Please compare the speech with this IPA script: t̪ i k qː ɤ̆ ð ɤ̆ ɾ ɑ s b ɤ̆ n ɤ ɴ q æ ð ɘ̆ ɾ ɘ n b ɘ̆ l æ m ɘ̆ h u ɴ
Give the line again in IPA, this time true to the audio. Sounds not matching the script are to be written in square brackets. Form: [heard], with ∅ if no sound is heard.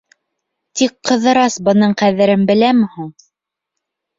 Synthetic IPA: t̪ i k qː ɤ̆ ð ɤ̆ ɾ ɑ s b ɤ̆ n ɤ ɴ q æ ð ɘ̆ ɾ ɘ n b ɘ̆ l æ m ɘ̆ h u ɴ